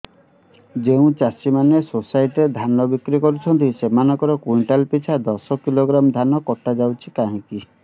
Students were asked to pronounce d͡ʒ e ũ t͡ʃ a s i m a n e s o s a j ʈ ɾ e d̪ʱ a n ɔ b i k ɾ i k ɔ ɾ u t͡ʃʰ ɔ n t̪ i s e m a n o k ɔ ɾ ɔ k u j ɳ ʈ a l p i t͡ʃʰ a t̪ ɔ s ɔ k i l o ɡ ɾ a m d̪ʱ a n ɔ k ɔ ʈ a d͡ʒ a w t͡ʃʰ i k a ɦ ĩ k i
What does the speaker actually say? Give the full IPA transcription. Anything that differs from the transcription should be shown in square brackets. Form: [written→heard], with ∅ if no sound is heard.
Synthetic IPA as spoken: d͡ʒ e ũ t͡ʃ a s i m a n e s o s a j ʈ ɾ e d̪ʱ a n ɔ b i k ɾ i k ɔ ɾ u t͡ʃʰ ɔ n t̪ i s e m a n [o→ɔ] k ɔ ɾ ɔ k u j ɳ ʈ a l p i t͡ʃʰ a [t̪→d̪] ɔ s ɔ k i l o ɡ ɾ a m d̪ʱ a n ɔ k ɔ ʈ a d͡ʒ a w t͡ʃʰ i k a ɦ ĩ k i